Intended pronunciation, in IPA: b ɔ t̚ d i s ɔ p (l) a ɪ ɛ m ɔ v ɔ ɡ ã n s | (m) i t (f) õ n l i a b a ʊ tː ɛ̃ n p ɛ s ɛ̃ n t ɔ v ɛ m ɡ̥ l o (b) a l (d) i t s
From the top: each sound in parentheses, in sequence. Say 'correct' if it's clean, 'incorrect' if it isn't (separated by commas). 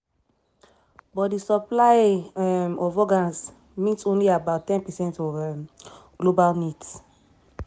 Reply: correct, correct, incorrect, correct, incorrect